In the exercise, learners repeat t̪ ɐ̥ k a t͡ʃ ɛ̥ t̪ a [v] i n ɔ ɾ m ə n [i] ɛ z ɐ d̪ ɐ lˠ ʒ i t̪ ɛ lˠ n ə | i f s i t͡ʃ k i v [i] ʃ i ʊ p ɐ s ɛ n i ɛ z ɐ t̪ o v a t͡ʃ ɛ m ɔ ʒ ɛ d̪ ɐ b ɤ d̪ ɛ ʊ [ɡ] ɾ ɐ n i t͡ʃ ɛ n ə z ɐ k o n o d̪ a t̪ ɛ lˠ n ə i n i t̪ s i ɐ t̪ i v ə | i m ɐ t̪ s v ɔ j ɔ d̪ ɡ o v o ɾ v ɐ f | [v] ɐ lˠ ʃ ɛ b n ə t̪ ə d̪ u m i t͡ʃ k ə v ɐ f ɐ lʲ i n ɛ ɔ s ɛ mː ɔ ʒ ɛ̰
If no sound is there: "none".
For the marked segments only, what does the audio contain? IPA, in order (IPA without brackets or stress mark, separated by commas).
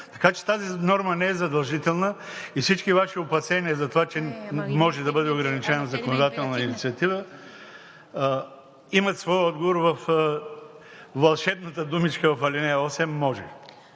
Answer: z, ɛ, a, ɡ, v